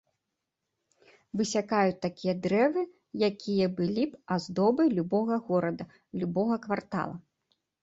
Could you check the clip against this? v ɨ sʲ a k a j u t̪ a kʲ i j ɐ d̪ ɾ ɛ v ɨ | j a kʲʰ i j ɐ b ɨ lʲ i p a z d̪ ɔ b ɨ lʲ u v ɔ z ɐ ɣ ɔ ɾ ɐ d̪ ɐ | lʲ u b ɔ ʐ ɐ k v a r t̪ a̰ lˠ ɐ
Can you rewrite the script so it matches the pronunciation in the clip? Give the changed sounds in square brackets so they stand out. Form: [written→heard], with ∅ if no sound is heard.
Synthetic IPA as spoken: v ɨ sʲ a k a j u t̪ a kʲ i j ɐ d̪ ɾ ɛ v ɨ | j a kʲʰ i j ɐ b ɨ lʲ i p a z d̪ ɔ b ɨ lʲ u [v→b] ɔ [z→ɣ] ɐ ɣ ɔ ɾ ɐ d̪ ɐ | lʲ u b ɔ [ʐ→ɣ] ɐ k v a r t̪ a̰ lˠ ɐ